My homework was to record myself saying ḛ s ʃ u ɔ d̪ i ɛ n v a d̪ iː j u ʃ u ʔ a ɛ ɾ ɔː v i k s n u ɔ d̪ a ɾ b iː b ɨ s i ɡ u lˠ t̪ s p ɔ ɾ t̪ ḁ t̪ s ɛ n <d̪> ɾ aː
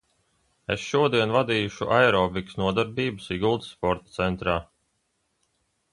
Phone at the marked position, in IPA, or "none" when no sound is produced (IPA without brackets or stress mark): t̪